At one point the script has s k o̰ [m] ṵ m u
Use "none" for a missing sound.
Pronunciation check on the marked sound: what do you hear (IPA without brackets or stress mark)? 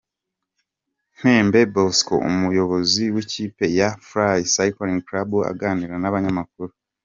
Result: none